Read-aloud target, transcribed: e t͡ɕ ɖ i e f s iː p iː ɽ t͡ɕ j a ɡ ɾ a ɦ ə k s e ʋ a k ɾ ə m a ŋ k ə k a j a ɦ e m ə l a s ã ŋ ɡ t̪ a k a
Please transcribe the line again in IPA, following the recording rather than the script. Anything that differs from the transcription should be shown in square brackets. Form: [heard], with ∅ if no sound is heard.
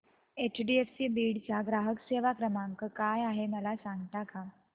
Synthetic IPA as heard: e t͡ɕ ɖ i e f s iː [b] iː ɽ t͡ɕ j a ɡ ɾ a ɦ ə k s e ʋ a k ɾ ə m a ŋ k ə k a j a ɦ e m ə l a s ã ŋ ɡ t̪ a k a